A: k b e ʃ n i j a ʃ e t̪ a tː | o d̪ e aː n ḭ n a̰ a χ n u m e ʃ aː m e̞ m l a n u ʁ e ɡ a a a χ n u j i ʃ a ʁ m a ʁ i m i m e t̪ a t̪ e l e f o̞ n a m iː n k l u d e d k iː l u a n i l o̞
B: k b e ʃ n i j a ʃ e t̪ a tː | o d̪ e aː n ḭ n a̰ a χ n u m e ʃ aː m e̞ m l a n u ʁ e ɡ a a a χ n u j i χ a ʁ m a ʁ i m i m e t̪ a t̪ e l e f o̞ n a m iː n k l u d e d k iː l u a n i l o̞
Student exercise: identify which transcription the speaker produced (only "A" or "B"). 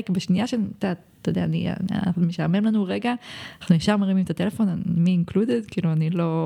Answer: A